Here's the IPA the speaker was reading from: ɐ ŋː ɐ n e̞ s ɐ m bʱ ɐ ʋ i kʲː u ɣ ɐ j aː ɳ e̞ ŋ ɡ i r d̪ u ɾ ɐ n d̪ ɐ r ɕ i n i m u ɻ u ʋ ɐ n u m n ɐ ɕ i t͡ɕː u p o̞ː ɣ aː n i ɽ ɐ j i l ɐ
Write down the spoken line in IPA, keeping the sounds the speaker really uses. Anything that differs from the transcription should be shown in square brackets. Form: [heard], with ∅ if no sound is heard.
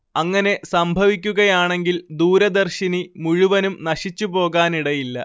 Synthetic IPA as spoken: ɐ ŋː ɐ n e̞ s ɐ m bʱ ɐ ʋ i kʲː u ɣ ɐ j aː ɳ e̞ ŋ ɡ i [l] d̪ [uː] ɾ ɐ [∅] d̪ ɐ r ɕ i n i m u ɻ u ʋ ɐ n u m n ɐ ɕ i t͡ɕː u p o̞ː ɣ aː n i ɽ ɐ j i [lː] ɐ